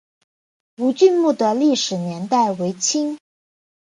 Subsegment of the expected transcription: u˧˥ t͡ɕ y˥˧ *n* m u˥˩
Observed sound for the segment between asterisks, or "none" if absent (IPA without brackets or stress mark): n